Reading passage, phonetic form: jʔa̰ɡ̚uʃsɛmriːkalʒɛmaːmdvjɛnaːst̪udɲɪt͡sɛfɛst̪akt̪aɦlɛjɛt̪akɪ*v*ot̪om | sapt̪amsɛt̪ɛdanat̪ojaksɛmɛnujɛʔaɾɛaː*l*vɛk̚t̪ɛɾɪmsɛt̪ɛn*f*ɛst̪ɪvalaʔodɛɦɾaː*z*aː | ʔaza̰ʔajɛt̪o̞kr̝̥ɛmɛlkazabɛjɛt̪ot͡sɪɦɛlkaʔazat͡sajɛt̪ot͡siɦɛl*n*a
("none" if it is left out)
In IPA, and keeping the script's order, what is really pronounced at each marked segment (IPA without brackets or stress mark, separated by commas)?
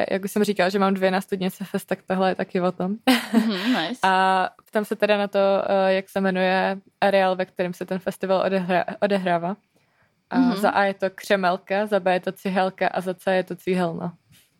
v, l, f, v, n